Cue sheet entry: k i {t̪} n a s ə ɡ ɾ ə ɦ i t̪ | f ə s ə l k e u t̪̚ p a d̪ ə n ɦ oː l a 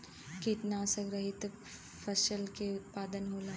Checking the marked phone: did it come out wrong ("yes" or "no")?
no